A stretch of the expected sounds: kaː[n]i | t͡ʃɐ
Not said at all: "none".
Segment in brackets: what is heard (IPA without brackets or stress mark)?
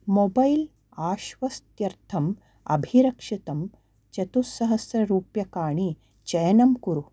ɳ